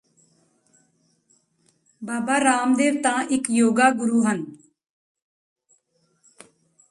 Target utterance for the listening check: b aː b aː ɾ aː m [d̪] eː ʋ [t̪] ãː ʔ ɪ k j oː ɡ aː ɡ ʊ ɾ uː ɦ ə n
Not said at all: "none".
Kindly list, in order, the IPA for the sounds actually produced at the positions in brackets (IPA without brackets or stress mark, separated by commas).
d̪, t̪